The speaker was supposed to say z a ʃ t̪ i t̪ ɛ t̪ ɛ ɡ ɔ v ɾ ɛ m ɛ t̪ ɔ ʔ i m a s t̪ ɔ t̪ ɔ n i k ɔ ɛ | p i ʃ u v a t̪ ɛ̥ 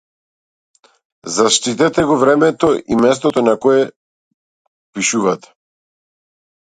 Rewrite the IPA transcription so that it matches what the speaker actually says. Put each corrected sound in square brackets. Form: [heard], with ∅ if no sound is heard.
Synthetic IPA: z a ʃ t̪ i t̪ ɛ t̪ ɛ ɡ ɔ v ɾ ɛ m ɛ t̪ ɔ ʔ i m [ɛ] s t̪ ɔ t̪ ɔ n [a] k ɔ ɛ | p i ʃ u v a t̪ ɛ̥